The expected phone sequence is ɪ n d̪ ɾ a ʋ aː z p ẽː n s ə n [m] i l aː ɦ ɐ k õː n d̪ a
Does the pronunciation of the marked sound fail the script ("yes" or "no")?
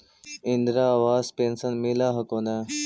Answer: no